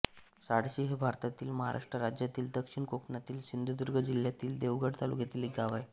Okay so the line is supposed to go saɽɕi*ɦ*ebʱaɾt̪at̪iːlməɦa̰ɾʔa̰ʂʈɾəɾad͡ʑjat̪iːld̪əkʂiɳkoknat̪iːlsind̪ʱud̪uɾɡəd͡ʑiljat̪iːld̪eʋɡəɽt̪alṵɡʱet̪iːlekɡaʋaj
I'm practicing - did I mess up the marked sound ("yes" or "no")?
no